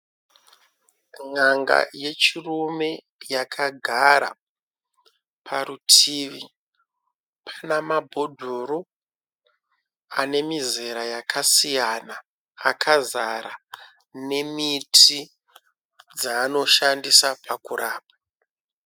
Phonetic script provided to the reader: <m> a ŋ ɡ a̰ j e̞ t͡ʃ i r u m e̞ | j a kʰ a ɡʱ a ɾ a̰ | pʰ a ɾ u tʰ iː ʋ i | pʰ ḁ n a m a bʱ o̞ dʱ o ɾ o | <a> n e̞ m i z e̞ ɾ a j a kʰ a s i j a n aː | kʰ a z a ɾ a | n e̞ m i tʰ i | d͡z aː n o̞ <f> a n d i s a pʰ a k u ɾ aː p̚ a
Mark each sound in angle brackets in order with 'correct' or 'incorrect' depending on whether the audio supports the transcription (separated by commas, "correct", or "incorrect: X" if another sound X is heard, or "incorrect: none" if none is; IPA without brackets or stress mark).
incorrect: ŋ, correct, incorrect: ʃ